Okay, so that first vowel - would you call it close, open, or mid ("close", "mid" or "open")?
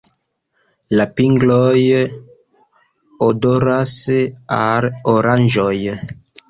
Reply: open